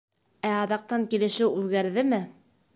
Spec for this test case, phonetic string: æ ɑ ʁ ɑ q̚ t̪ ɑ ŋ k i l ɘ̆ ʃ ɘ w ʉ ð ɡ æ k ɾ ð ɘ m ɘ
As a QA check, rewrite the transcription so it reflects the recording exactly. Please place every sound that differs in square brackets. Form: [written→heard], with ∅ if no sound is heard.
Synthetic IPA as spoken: æ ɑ [ʁ→ð] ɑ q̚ t̪ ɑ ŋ k i l ɘ̆ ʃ ɘ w ʉ ð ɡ æ [k→∅] ɾ ð ɘ m ɘ